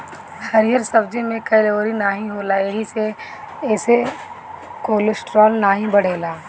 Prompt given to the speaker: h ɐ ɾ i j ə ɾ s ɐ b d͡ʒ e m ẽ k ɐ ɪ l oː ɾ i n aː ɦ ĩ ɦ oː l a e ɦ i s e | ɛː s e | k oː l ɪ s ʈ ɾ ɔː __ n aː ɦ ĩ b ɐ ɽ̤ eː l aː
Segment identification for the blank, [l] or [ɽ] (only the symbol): l